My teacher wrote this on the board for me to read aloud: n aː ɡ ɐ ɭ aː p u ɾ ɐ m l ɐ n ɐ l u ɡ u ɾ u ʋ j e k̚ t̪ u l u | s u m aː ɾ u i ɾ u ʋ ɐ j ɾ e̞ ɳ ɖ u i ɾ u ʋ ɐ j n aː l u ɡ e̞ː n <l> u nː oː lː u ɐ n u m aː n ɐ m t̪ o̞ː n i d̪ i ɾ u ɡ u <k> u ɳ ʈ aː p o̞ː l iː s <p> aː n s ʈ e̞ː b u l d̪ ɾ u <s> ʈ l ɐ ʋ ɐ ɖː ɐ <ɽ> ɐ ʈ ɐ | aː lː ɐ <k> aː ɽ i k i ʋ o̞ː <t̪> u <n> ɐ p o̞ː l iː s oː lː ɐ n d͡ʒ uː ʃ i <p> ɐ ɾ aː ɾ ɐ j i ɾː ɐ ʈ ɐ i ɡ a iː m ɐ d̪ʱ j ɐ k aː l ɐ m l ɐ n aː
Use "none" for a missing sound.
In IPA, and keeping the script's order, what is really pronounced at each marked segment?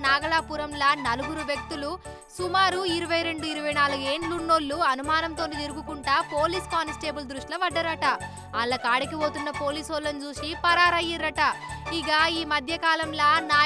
l, k, k, ʂ, ɾ, k, t̪, nː, p

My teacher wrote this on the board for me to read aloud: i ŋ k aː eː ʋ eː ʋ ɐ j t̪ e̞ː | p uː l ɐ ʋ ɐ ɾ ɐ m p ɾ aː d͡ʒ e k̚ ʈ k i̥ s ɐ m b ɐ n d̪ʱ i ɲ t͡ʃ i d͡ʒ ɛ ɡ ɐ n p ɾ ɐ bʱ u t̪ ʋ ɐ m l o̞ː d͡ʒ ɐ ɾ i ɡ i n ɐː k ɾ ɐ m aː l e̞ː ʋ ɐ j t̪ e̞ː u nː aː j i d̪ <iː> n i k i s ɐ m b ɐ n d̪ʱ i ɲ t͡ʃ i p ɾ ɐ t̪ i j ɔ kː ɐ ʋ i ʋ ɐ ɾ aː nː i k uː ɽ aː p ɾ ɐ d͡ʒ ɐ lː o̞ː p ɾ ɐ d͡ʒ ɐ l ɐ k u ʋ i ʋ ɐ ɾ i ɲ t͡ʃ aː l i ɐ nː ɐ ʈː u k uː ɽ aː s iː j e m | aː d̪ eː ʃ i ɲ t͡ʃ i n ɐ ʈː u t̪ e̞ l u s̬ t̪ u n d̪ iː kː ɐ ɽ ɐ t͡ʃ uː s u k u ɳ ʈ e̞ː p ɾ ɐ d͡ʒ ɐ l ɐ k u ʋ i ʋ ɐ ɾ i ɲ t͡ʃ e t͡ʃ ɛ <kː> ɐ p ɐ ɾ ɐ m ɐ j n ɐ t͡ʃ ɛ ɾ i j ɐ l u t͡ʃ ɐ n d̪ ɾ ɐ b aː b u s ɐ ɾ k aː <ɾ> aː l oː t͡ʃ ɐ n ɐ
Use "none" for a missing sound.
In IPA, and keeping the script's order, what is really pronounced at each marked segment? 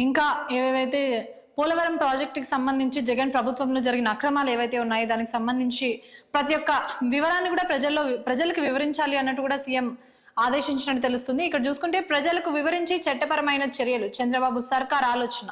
aː, ʈː, ɾ

